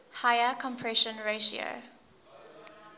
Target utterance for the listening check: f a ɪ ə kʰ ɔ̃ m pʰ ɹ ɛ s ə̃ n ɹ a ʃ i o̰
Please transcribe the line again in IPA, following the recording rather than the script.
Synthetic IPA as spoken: h a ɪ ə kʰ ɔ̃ m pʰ ɹ ɛ ʃ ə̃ n ɹ e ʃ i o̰